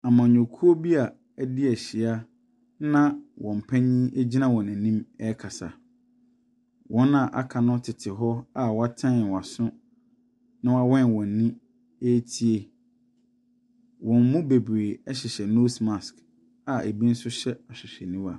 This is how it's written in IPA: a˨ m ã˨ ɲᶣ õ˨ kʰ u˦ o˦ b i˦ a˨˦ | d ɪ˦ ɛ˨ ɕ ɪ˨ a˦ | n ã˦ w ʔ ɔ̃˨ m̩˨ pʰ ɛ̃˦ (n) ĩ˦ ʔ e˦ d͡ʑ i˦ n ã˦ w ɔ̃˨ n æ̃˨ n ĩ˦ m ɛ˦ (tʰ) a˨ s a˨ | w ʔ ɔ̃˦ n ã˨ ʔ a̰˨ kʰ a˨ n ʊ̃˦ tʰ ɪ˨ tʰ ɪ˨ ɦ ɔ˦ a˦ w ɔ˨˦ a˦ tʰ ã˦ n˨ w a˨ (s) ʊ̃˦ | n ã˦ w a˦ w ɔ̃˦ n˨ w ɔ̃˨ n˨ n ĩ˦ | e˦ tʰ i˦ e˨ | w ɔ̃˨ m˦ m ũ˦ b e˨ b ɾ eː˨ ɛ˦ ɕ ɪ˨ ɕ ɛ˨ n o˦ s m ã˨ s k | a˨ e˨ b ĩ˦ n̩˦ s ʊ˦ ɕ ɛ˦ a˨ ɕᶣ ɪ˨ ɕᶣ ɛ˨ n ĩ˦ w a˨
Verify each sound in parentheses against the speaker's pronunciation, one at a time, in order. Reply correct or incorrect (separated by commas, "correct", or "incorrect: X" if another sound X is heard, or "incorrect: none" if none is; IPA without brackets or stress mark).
incorrect: ɲ, incorrect: kʰ, correct